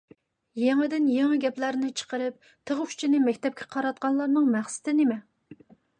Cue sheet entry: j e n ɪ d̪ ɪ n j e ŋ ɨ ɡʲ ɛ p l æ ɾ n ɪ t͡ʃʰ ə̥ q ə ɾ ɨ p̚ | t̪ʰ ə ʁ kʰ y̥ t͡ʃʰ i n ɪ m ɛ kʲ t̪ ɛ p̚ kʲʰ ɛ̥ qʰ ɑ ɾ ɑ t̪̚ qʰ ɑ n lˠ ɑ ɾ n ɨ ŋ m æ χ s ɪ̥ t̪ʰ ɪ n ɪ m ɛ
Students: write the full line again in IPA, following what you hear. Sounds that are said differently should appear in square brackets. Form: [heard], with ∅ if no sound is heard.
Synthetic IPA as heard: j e [ŋ] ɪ d̪ ɪ n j e ŋ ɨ ɡʲ ɛ p l æ ɾ n ɪ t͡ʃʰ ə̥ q ə ɾ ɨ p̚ | t̪ʰ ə ʁ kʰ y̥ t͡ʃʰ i n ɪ m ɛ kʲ t̪ ɛ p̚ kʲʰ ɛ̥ qʰ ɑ ɾ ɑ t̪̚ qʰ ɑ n lˠ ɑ ɾ n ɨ ŋ m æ χ s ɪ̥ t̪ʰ ɪ n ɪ m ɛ